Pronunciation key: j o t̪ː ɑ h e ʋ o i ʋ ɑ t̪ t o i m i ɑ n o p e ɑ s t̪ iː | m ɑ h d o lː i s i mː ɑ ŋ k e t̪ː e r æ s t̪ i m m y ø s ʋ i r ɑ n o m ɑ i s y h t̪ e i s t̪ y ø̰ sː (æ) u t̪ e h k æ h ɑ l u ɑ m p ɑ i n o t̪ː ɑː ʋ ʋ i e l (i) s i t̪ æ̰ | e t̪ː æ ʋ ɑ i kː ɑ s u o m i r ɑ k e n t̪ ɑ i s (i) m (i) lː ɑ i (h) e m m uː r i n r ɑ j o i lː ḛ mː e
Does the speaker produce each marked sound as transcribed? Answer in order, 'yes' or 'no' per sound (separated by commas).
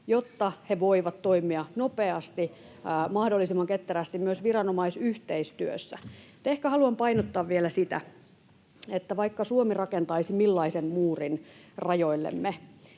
yes, no, yes, yes, no